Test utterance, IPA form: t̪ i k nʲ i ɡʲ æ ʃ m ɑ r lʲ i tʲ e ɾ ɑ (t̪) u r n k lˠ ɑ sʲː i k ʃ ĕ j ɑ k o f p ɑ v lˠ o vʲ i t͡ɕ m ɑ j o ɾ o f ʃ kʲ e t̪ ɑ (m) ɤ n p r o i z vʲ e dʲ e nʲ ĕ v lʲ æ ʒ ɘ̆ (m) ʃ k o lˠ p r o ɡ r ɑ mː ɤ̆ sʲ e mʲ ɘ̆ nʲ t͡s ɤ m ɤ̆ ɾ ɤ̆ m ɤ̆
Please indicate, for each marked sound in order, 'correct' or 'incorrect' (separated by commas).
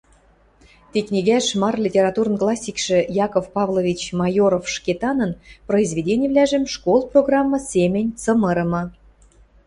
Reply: correct, incorrect, correct